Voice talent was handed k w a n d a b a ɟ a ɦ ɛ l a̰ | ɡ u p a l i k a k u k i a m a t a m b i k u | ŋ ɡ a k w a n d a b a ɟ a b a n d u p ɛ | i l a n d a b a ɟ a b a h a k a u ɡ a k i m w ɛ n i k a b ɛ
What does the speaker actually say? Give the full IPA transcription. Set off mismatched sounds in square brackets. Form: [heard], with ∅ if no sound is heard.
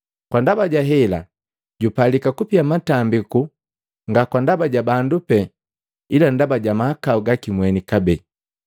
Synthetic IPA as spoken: k w a n d a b a ɟ a ɦ ɛ l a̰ | [ɟ] u p a l i k a k u [p] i a m a t a m b i k u | ŋ ɡ a k w a n d a b a ɟ a b a n d u p ɛ | i l a n d a b a ɟ a [m] a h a k a u ɡ a k i m w ɛ n i k a b ɛ